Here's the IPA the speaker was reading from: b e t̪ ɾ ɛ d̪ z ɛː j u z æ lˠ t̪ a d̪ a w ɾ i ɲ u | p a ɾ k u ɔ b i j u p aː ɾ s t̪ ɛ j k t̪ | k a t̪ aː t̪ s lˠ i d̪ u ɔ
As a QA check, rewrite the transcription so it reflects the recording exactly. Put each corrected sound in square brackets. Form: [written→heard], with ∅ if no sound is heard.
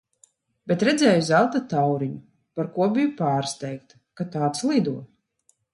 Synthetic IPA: b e t̪ ɾ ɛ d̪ z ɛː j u z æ lˠ t̪ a [d̪→t̪] a w ɾ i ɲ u | p a ɾ k u ɔ b i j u p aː ɾ s t̪ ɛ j k t̪ | k a t̪ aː t̪ s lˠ i d̪ u ɔ